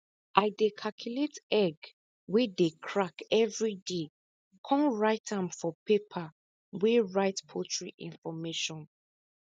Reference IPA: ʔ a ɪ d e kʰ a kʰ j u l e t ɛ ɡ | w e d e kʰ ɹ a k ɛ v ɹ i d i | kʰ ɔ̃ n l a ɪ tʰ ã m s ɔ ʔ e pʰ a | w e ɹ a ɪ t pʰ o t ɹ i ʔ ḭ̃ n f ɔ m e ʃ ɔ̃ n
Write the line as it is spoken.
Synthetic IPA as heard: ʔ a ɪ d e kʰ a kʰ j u l e t ɛ ɡ | w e d e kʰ ɹ a k ɛ v ɹ i d e | kʰ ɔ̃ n ɹ a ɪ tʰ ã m f ɔ p e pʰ a | w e ɹ a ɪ t pʰ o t ɹ i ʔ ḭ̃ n f ɔ m e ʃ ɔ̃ n